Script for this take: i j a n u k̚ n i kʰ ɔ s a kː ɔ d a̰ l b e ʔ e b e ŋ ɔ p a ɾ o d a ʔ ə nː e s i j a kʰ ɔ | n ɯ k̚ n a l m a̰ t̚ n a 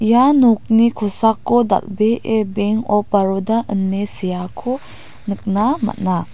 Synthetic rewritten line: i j a n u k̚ n i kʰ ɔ s a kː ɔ d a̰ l b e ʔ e b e ŋ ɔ p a ɾ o d a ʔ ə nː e s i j a kʰ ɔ | n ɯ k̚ n a m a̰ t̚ n a